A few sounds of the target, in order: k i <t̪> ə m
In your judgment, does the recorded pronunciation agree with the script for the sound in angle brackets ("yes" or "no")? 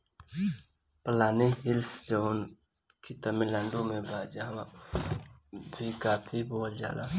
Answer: yes